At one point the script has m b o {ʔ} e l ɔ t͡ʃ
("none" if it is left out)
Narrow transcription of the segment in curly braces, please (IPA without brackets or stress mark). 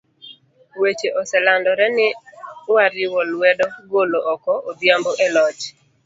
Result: ʔ